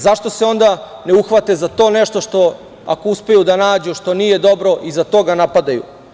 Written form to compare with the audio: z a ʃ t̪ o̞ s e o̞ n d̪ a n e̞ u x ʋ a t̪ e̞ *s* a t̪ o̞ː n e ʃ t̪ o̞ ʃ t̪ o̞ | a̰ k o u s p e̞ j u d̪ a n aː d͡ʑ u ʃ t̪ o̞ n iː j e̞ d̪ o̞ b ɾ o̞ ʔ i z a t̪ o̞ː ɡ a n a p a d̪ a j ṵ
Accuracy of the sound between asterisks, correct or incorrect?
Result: incorrect: z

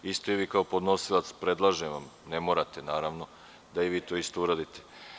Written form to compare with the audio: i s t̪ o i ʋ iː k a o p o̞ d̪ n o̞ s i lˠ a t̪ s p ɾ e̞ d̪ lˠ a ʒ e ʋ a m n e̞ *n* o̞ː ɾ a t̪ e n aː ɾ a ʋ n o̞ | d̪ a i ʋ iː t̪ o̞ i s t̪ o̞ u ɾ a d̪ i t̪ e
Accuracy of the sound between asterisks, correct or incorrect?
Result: incorrect: m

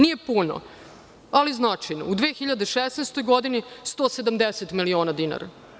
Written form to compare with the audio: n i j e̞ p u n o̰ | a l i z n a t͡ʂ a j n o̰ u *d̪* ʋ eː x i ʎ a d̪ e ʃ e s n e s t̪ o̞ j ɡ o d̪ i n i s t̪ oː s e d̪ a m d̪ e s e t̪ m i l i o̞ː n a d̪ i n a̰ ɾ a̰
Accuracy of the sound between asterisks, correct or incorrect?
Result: correct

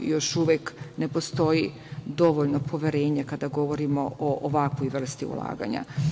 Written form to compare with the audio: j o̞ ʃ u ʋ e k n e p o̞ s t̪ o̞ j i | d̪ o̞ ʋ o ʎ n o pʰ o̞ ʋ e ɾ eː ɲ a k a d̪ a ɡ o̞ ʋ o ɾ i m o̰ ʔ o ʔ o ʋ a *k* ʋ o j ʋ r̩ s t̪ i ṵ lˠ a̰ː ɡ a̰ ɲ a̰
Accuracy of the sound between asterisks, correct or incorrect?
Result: correct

